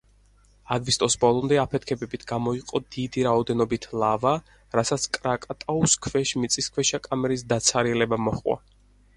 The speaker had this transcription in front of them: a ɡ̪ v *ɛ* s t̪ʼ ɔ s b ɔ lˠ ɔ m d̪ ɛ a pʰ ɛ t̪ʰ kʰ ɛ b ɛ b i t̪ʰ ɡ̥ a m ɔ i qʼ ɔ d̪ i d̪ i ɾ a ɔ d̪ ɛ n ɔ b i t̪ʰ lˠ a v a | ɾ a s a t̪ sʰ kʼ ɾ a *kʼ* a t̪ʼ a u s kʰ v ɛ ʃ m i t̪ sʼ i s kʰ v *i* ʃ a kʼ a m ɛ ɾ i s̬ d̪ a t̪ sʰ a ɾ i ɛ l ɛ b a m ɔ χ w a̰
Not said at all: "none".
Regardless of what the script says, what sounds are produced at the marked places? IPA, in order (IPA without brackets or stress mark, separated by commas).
i, kʼ, ɛ